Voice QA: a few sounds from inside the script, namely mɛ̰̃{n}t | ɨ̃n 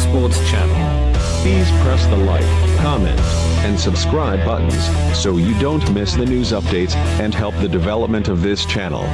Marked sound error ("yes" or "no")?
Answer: no